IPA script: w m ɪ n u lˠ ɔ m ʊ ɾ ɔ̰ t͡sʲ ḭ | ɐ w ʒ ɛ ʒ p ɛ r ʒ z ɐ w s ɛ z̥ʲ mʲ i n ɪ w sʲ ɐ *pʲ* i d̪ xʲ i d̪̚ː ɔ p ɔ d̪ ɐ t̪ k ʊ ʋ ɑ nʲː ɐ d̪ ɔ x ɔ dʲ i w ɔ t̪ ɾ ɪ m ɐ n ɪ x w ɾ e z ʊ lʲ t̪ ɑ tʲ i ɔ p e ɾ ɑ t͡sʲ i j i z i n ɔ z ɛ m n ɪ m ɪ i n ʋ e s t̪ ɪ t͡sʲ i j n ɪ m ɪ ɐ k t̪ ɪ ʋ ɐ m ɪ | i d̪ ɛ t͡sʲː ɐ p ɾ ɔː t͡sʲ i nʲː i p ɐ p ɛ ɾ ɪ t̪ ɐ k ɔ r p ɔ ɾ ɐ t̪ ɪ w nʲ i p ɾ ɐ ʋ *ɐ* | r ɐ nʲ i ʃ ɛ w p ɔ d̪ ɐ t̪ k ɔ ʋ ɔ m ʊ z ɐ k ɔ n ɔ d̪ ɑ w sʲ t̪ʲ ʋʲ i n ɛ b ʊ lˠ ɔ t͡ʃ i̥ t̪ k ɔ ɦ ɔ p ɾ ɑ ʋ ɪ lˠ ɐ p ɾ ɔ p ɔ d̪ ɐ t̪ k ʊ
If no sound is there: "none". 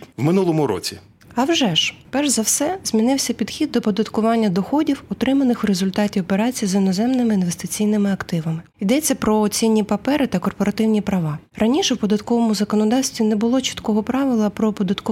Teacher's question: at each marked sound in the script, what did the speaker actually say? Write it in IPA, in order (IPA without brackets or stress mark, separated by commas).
pʲ, ɑ